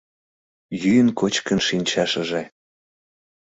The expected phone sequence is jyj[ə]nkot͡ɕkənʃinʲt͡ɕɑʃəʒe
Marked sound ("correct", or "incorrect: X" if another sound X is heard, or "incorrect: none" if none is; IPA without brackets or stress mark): correct